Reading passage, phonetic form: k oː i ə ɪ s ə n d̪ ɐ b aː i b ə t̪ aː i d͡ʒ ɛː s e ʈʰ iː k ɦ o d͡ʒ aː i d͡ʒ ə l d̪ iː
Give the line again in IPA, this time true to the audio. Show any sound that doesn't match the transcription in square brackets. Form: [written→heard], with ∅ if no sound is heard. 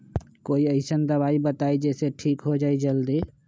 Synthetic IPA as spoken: k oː i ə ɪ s ə n d̪ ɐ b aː i b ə t̪ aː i d͡ʒ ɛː s e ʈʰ iː k ɦ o d͡ʒ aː i d͡ʒ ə l d̪ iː